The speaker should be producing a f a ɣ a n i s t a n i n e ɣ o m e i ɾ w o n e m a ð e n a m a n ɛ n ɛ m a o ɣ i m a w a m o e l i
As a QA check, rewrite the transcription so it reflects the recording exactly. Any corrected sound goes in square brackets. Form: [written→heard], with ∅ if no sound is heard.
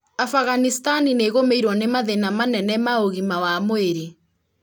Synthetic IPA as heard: a f a ɣ a n i s t a n i n e ɣ o m e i ɾ w [o→ɔ] n e m a ð e n a m a n ɛ n ɛ m a o ɣ i m a w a m o e [l→ɾ] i